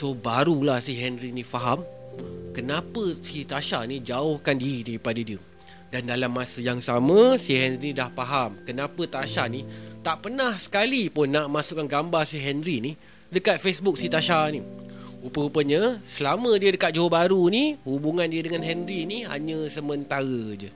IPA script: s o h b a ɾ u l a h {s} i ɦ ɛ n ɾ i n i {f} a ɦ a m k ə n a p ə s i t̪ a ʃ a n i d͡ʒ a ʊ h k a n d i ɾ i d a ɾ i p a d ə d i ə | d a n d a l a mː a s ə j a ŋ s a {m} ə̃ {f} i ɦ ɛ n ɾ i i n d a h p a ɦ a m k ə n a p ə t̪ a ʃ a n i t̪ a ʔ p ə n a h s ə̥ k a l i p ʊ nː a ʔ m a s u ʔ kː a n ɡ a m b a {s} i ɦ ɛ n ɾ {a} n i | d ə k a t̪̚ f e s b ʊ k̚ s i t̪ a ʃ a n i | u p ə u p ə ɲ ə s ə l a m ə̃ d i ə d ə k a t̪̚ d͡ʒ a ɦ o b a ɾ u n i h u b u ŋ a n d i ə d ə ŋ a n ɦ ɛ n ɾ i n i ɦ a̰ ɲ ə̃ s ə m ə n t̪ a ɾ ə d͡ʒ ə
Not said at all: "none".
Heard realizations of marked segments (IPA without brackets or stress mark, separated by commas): s, f, m, s, s, i